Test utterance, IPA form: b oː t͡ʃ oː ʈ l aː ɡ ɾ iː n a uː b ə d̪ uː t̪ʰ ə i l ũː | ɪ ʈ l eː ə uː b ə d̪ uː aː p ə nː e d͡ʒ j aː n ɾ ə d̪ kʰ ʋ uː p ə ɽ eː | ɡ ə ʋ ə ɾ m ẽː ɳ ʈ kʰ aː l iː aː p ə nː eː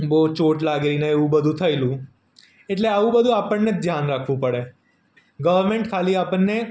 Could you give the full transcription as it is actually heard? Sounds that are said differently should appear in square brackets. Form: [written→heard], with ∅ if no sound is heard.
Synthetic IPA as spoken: b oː t͡ʃ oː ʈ l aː ɡ ɾ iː n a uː b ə d̪ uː t̪ʰ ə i l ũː | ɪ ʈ l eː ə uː b ə d̪ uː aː p ə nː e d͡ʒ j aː n ɾ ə [d̪→∅] kʰ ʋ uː p ə ɽ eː | ɡ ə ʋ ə ɾ m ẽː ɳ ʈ kʰ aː l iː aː p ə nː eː